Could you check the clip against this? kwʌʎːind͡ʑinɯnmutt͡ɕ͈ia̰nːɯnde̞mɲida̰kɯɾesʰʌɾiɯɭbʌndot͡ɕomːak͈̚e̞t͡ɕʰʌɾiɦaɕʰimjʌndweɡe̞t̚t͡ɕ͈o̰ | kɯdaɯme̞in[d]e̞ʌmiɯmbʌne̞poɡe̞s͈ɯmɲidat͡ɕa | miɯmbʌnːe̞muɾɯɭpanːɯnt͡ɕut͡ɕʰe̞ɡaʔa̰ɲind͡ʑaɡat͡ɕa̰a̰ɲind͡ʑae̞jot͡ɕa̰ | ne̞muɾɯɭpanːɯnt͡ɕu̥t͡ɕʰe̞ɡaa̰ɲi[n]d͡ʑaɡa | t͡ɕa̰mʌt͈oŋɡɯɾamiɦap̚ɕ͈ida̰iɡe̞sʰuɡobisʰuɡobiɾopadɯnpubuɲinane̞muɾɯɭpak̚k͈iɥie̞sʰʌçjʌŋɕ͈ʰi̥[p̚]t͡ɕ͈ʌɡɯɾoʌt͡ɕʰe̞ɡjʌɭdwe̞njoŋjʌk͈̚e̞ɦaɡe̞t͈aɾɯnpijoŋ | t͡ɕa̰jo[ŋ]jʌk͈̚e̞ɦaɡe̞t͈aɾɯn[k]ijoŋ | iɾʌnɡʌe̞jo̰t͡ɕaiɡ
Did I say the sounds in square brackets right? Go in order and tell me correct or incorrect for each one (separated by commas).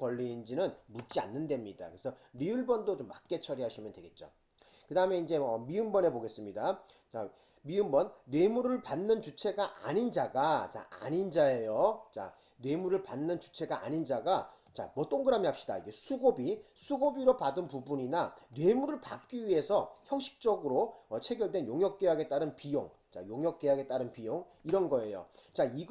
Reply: incorrect, correct, incorrect, correct, incorrect